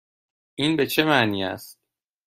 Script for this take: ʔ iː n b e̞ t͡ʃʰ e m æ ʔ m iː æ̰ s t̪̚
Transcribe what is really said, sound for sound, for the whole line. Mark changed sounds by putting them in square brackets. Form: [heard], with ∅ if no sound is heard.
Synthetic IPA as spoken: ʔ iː n b e̞ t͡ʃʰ e m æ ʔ [n] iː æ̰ s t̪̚